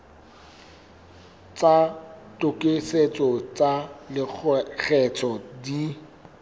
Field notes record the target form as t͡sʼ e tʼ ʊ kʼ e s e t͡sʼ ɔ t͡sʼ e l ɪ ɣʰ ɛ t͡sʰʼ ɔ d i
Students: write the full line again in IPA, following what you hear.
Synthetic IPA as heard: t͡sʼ a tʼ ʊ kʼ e s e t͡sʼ ɔ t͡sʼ a l ɪ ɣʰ ɛ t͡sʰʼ ɔ d i